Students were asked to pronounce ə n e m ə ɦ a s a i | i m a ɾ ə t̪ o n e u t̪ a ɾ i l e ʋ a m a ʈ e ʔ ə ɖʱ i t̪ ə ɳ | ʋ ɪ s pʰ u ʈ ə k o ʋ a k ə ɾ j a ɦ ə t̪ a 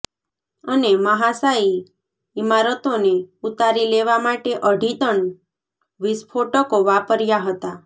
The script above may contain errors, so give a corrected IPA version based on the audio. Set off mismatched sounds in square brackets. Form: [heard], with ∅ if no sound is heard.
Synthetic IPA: ə n e m ə ɦ a s a i | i m a ɾ ə t̪ o n e u t̪ a ɾ i l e ʋ a m a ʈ e ʔ ə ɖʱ i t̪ ə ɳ | ʋ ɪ s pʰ [o] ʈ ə k o ʋ a [p] ə ɾ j a ɦ ə t̪ a